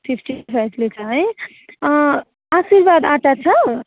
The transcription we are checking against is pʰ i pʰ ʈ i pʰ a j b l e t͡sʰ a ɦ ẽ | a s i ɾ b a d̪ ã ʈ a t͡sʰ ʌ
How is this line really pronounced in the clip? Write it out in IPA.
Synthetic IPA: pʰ i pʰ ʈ i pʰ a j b l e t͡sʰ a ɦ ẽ | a s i ɾ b a d̪ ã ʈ a t͡sʰ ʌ